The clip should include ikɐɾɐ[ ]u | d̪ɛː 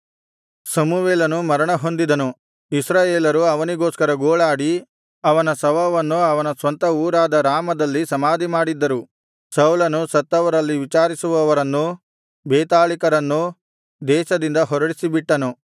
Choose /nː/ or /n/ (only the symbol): nː